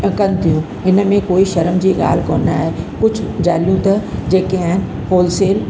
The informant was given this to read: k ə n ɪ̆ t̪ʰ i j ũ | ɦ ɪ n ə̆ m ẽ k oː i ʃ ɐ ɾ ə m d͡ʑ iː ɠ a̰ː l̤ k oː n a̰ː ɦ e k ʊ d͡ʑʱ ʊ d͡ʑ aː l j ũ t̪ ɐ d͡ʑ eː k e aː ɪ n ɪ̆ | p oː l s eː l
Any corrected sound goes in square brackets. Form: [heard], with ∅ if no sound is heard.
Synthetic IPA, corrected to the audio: k [ɐ] n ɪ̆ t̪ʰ i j ũ | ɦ ɪ n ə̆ m ẽ k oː i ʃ ɐ ɾ ə m d͡ʑ iː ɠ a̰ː l̤ k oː n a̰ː ɦ e k ʊ d͡ʑʱ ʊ d͡ʑ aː l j ũ t̪ ɐ d͡ʑ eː k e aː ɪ n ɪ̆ | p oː l s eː l